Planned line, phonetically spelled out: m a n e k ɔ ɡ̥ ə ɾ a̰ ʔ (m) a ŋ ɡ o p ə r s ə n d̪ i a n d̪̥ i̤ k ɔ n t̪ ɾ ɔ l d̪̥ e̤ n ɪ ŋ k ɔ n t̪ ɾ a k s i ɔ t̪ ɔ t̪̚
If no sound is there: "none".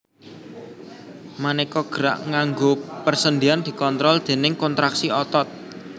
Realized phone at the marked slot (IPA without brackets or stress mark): ŋ